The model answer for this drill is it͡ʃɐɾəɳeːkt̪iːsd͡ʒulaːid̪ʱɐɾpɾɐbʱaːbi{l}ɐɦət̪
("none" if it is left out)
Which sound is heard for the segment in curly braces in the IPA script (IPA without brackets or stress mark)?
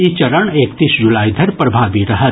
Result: ɾ